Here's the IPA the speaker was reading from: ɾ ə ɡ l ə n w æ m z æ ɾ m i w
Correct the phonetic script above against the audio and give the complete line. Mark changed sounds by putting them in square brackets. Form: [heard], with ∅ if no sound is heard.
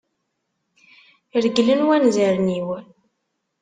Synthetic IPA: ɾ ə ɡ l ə n w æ [n] z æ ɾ [n] i w